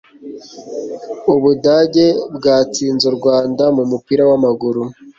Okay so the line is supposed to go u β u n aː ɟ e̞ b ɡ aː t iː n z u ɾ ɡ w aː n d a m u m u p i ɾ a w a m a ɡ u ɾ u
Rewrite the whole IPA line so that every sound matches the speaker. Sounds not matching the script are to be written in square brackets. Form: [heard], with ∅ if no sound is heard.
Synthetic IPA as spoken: u β u [d] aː ɟ e̞ b ɡ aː [t͡s] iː n z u ɾ ɡ w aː n d a m u m u p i ɾ a w a m a ɡ u ɾ u